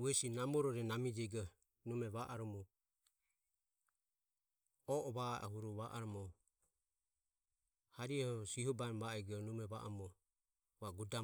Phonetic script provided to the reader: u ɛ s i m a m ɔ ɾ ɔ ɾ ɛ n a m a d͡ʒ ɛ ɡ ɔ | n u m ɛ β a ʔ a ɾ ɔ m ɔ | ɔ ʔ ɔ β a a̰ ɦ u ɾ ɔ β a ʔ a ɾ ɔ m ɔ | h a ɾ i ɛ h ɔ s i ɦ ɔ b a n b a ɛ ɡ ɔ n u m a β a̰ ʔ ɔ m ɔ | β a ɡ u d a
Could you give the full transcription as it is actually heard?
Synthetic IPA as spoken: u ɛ s i n a m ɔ ɾ ɔ ɾ ɛ n a m i d͡ʒ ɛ ɡ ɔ | n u m ɛ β a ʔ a ɾ ɔ m ɔ | ɔ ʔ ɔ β a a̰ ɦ u ɾ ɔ β a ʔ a ɾ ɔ m ɔ | h a ɾ i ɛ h ɔ s i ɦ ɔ b a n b a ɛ ɡ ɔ n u m ɛ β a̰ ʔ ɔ m ɔ | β a ɡ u d a

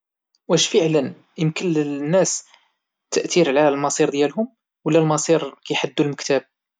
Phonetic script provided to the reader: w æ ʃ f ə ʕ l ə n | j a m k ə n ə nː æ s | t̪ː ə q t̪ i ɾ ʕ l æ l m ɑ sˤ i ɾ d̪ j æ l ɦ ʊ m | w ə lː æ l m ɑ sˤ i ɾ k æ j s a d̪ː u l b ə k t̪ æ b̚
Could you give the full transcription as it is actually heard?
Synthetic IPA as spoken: w æ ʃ f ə ʕ l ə n | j ə m k ə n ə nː æ s | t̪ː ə ʔ t̪ i ɾ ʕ l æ l m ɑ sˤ i ɾ d̪ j æ l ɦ ʊ m | w ə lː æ l m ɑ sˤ i ɾ k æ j ħ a d̪ː u l m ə k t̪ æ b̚

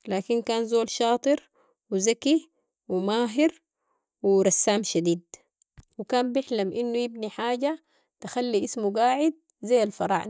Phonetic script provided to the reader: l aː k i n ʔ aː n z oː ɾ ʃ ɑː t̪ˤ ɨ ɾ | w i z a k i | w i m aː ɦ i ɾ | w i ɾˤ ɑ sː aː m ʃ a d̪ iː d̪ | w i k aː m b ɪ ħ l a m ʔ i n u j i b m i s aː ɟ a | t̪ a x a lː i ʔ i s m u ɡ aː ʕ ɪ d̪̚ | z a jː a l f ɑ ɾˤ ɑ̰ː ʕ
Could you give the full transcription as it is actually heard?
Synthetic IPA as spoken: l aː k i n k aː n z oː l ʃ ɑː t̪ˤ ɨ ɾ | w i z a k i | w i m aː ɦ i ɾ | w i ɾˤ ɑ sː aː m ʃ a d̪ iː d̪ | w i k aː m b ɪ ħ l a m ʔ i nː u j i b n i ħ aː ɟ a | t̪ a x a lː i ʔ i s m u ɡ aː ʕ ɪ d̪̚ | z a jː a l f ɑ ɾˤ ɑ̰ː ʕ

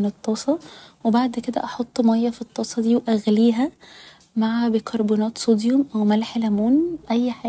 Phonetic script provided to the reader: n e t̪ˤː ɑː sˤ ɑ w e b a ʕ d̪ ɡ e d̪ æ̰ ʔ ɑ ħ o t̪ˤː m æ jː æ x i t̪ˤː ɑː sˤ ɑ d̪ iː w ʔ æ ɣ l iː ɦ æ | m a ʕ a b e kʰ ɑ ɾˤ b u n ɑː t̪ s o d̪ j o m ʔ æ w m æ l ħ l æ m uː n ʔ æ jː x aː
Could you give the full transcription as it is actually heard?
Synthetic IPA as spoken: n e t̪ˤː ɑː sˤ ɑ w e b a ʕ d̪ k e d̪ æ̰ ʔ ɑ ħ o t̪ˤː m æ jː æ f i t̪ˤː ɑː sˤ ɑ d̪ iː w ʔ æ ɣ l iː ɦ æ | m a ʕ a b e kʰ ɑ ɾˤ b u n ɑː t̪ s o d̪ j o m ʔ æ w m æ l ħ l æ m uː n ʔ æ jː ħ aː

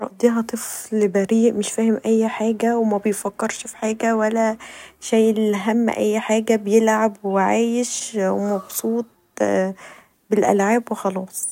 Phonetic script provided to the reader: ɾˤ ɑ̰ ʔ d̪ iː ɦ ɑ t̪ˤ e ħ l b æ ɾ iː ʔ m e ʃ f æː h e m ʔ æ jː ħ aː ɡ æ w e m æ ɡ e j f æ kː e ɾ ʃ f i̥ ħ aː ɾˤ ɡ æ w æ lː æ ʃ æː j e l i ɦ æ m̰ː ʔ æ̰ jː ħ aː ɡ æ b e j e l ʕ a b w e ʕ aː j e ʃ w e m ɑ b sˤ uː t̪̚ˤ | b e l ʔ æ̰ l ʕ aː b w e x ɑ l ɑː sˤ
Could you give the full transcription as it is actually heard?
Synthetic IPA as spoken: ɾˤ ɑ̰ ʔ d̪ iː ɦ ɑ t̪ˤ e f l b æ ɾ iː ʔ m e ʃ f æː h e m ʔ æ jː ħ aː ɡ æ w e m æ b e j f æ kː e ɾ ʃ f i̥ ħ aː ɡ æ w æ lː æ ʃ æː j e l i ɦ æ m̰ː ʔ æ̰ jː ħ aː ɡ æ b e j e l ʕ a b w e ʕ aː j e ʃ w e m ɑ b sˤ uː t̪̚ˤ | b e l ʔ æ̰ l ʕ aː b w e x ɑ l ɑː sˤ

